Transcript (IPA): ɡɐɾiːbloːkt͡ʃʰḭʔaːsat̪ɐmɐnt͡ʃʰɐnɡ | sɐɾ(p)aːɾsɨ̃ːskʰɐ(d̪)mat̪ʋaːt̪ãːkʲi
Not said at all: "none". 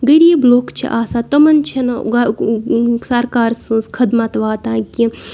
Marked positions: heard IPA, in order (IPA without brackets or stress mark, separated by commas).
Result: k, d̪